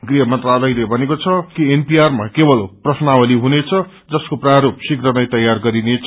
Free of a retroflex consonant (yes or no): yes